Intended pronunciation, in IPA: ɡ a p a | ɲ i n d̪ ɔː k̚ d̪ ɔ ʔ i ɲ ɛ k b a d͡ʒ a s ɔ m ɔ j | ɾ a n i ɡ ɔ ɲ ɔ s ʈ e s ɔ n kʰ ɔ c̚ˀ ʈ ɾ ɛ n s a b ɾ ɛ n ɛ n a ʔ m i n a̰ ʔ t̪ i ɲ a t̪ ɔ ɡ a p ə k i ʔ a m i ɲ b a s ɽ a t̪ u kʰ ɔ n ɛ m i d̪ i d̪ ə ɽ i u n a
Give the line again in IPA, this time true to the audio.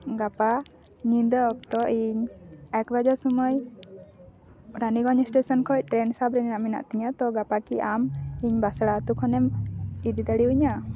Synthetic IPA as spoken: ɡ a p a | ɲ i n d̪ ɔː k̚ t̪ ɔ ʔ i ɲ ɛ k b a d͡ʒ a s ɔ m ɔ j | ɾ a n i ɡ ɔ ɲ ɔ s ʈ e s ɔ n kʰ ɔ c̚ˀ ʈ ɾ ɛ n s a b ɾ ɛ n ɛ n a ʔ m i n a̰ ʔ t̪ i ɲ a t̪ ɔ ɡ a p a k i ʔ a m i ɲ b a s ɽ a t̪ u kʰ ɔ n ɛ m i d̪ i d̪ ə ɽ i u ɲ a